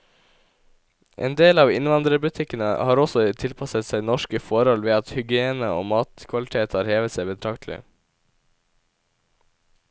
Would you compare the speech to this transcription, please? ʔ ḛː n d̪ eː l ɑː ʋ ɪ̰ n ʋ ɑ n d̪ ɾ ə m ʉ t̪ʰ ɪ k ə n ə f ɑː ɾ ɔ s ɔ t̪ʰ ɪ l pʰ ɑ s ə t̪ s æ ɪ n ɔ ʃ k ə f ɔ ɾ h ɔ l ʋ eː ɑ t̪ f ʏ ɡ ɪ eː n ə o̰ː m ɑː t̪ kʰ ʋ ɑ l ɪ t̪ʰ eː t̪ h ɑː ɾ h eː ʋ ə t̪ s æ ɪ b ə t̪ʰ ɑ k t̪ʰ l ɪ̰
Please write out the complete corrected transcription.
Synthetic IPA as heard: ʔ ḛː n d̪ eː l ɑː ʋ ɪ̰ n ʋ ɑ n d̪ ɾ ə b ʉ t̪ʰ ɪ k ə n ə h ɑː ɾ ɔ s ɔ t̪ʰ ɪ l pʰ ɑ s ə t̪ s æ ɪ n ɔ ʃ k ə f ɔ ɾ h ɔ l ʋ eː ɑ t̪ h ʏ ɡ ɪ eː n ə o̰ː m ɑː t̪ kʰ ʋ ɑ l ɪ t̪ʰ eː t̪ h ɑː ɾ h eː ʋ ə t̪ s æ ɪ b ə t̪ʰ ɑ k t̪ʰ l ɪ̰